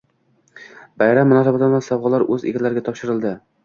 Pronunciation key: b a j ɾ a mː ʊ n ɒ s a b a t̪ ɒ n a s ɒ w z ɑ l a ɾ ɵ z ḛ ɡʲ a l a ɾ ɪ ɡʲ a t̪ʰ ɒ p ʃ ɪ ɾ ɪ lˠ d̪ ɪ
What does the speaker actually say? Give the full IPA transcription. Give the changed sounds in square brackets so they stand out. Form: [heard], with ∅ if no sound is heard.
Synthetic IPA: b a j ɾ a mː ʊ n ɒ s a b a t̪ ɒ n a s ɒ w [ʁ] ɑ l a ɾ ɵ z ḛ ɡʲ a l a ɾ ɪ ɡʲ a t̪ʰ ɒ p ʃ ɪ ɾ ɪ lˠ d̪ ɪ